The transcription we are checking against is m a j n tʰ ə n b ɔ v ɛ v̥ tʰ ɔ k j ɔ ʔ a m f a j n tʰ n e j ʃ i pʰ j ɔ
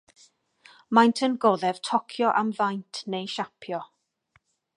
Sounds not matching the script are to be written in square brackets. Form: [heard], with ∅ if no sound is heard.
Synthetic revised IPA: m a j n tʰ ə n [ɡ] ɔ [ð] ɛ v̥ tʰ ɔ [kʰ] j ɔ ʔ a m [v] a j n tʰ n e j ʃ [a] pʰ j ɔ